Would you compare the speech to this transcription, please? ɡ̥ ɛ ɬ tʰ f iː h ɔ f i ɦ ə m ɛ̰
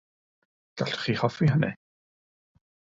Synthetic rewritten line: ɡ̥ a ɬ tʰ χ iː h ɔ f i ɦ ə n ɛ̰